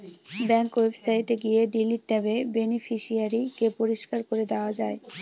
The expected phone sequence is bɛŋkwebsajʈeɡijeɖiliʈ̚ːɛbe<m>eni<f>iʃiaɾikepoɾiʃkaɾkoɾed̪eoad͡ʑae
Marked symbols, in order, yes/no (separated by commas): no, yes